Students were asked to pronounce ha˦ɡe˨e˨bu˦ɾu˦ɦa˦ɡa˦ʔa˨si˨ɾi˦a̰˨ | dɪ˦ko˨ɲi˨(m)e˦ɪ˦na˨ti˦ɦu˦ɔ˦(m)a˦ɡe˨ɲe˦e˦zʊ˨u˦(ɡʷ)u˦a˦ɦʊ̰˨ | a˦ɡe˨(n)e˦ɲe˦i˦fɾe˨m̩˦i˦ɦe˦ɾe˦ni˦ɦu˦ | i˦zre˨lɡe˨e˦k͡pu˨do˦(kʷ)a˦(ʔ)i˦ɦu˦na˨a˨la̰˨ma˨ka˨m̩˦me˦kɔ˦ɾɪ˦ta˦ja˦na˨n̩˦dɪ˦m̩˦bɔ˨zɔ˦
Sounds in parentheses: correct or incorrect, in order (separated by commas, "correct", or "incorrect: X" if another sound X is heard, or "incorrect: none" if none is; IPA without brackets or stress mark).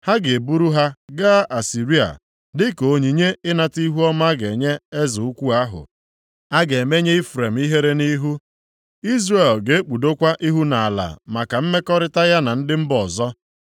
incorrect: ɲ, correct, incorrect: kʷ, incorrect: m, correct, correct